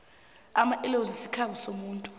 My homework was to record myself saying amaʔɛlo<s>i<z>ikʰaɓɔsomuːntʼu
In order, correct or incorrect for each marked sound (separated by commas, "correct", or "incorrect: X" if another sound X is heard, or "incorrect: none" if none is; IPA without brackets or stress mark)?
incorrect: z, incorrect: s